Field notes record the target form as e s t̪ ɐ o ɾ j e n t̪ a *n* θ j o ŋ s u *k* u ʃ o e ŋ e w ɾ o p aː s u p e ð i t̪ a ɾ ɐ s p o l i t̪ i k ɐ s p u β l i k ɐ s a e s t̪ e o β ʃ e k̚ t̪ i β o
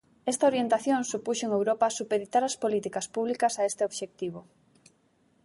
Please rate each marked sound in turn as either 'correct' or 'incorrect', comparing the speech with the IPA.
incorrect: none, incorrect: p

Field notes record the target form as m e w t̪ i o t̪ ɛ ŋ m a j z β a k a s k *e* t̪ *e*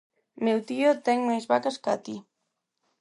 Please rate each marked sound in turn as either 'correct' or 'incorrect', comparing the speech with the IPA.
incorrect: a, incorrect: i

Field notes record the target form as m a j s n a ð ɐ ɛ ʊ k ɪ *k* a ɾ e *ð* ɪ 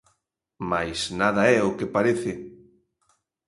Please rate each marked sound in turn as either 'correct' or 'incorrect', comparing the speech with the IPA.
incorrect: p, incorrect: θ

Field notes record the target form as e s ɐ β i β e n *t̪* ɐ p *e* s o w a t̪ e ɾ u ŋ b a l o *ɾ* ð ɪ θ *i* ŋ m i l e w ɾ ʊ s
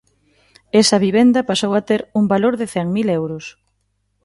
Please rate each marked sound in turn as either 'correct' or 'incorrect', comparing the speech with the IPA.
incorrect: d̪, incorrect: a, correct, incorrect: ɛ

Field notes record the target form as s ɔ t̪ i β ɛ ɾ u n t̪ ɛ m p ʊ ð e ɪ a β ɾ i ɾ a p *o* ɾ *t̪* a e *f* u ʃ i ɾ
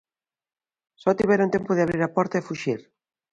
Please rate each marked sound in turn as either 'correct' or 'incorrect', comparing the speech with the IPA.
incorrect: ɔ, correct, correct

